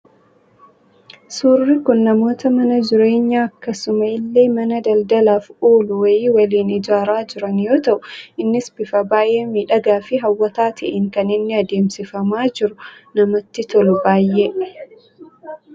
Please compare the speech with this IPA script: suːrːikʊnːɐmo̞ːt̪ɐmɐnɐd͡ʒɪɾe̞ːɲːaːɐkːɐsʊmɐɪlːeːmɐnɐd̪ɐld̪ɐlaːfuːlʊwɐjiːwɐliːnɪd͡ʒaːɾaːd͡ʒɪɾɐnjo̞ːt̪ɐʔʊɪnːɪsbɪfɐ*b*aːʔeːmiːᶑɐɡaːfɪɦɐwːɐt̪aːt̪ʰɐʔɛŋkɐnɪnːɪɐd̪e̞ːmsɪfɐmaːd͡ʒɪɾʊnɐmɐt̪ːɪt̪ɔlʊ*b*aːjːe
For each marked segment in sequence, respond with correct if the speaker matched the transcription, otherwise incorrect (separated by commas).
correct, correct